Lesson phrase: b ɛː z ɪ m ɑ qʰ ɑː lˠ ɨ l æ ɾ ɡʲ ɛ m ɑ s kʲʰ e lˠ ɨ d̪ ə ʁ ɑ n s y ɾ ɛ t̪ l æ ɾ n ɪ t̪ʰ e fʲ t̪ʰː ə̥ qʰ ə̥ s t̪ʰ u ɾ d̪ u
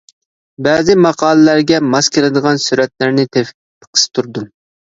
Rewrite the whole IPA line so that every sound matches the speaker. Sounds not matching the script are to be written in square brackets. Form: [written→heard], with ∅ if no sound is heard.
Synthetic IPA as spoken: b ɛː z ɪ m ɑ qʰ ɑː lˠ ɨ l æ ɾ ɡʲ ɛ m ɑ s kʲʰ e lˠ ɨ d̪ ə ʁ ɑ n s y ɾ ɛ t̪ l æ ɾ n ɪ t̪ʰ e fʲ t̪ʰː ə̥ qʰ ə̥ s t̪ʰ u ɾ d̪ u